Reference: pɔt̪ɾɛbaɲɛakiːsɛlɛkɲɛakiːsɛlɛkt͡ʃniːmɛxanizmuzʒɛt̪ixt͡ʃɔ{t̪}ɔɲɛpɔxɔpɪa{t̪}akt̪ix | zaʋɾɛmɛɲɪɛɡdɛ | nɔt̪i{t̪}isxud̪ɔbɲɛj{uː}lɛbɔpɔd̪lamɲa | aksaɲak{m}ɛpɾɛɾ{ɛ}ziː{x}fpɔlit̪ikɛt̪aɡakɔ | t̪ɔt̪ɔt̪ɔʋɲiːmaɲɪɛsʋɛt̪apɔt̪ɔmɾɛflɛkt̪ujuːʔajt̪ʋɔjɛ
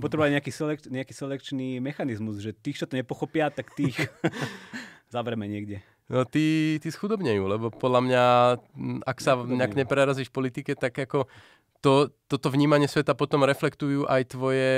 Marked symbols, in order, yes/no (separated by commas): yes, yes, yes, yes, no, no, no